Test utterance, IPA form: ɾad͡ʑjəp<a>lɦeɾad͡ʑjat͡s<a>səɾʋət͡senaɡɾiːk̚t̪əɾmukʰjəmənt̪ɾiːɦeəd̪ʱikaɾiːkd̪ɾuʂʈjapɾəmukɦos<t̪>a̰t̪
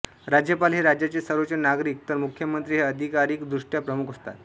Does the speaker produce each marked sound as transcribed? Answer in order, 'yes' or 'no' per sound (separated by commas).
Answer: yes, no, yes